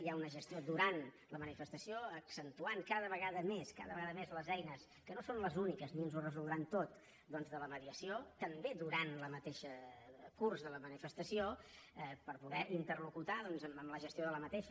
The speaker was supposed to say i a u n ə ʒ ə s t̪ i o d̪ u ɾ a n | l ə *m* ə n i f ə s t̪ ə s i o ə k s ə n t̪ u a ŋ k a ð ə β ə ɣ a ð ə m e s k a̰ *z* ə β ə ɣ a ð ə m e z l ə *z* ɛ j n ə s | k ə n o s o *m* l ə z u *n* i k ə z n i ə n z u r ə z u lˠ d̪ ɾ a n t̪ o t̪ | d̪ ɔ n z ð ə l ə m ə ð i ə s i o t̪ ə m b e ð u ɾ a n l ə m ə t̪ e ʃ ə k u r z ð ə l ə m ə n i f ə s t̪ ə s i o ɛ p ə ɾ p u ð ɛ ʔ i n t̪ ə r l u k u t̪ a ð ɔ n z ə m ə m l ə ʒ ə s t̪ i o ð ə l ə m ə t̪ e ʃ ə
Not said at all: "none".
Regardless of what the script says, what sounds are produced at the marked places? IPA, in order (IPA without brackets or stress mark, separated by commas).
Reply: m, ð, z, n, n